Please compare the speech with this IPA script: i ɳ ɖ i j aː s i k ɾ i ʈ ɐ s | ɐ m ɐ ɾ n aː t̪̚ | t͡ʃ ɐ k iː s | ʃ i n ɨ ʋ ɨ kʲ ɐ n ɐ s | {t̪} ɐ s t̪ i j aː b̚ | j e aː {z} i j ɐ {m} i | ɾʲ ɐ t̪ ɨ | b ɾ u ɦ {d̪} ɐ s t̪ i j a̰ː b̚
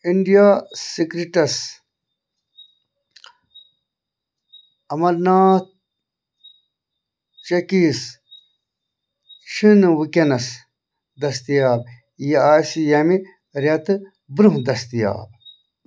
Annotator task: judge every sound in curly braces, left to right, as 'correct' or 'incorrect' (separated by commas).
incorrect, incorrect, correct, correct